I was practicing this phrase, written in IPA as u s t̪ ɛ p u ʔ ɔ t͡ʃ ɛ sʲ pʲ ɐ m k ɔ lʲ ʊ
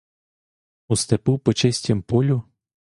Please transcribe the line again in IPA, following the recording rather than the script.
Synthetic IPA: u s t̪ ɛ p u p ɔ t͡ʃ ɛ sʲ tʲ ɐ m p ɔ lʲ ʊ

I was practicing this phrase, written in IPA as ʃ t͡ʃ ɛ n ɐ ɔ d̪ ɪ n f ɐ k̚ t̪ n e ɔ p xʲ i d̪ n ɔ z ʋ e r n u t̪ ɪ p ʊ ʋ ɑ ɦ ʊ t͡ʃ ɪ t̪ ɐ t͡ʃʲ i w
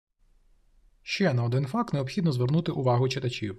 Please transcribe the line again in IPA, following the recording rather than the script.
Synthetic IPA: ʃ t͡ʃ ɛ n ɐ ɔ d̪ ɪ n f ɑ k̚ t̪ n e ɔ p xʲ i d̪ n ɔ z ʋ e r n u t̪ ɪ ʔ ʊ ʋ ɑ ɦ ʊ t͡ʃ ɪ t̪ ɐ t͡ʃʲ i w

